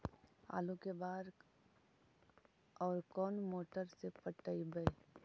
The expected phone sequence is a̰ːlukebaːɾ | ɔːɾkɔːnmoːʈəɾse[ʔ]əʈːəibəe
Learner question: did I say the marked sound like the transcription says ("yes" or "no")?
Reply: no